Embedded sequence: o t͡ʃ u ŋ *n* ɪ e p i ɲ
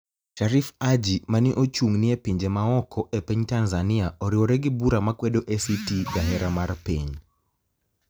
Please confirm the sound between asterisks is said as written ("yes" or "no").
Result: yes